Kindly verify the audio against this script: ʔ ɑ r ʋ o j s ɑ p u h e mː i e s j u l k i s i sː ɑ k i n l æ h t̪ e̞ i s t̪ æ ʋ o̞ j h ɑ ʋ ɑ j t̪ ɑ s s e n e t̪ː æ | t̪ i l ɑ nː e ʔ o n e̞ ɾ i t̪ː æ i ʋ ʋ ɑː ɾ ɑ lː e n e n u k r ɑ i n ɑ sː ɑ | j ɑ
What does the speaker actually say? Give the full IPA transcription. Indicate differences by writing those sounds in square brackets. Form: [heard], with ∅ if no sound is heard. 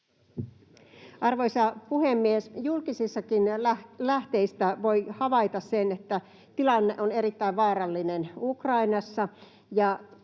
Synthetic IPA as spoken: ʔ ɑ r ʋ o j s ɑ p u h e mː i e s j u l k i s i sː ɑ k i n l æ h t̪ e̞ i s t̪ æ ʋ o̞ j h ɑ ʋ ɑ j t̪ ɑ s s e n e t̪ː æ | t̪ i l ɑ nː e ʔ o n e̞ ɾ i t̪ː æ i ʋ ʋ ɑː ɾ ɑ lː [i] n e n u k r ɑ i n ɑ sː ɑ | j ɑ